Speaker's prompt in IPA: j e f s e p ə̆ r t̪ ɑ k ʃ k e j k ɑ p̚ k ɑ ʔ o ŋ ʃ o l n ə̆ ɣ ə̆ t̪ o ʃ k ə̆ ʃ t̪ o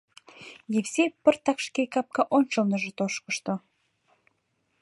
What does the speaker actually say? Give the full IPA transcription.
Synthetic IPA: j e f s e p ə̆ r t̪ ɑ k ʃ k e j k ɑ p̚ k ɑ ʔ o n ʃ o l n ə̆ ʒ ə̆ t̪ o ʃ k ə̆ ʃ t̪ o